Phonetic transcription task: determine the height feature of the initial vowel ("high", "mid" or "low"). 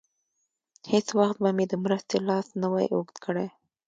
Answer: mid